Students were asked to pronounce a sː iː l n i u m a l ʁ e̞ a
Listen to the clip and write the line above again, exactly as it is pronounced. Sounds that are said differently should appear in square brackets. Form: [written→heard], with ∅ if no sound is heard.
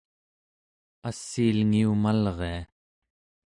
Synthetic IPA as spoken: a sː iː l [n→ŋ] i u m a l ʁ e̞ a